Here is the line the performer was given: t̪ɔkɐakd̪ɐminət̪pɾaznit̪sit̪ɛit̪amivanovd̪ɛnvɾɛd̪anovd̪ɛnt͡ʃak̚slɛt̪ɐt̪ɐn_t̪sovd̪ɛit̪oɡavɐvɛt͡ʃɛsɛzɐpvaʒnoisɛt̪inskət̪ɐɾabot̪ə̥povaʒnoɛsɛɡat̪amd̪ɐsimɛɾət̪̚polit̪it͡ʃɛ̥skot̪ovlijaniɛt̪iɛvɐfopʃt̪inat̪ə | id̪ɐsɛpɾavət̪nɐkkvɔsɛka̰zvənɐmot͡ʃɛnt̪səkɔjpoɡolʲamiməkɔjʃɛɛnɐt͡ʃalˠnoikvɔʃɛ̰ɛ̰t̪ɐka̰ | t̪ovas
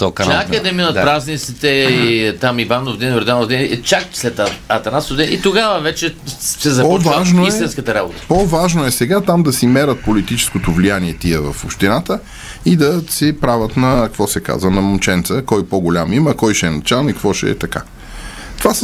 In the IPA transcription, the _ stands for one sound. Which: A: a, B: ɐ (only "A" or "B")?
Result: A